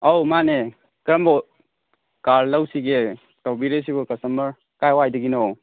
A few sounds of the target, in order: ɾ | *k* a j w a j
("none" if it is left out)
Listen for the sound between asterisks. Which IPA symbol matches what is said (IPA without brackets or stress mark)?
k